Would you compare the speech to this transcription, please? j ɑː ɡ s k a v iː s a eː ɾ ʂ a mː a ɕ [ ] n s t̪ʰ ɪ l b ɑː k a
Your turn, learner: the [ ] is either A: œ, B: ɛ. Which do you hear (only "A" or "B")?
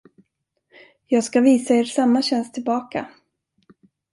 B